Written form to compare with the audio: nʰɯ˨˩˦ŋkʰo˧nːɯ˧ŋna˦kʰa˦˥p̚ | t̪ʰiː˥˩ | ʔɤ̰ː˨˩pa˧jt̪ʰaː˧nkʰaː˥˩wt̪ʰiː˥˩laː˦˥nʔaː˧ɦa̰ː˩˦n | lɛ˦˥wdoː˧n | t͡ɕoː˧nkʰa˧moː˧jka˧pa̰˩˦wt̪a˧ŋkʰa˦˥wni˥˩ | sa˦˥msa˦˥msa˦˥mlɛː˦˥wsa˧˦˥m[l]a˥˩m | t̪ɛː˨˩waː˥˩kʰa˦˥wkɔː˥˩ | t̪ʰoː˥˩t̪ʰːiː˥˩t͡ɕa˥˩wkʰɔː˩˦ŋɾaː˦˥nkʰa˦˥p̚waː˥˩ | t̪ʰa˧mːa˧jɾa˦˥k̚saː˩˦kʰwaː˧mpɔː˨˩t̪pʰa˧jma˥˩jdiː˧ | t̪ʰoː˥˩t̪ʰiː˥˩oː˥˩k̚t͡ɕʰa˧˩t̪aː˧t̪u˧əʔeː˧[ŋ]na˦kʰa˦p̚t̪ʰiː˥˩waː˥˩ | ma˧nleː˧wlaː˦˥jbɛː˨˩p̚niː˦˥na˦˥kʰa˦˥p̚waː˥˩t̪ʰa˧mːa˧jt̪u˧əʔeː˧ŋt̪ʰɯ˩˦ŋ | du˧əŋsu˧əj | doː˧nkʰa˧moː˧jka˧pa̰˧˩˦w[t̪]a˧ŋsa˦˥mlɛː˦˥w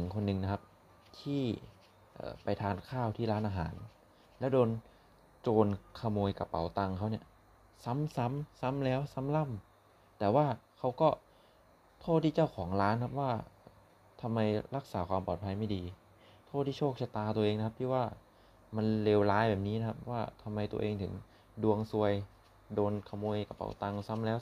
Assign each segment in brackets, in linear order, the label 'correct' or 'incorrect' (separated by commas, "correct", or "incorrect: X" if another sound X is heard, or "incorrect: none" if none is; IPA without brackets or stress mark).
correct, correct, correct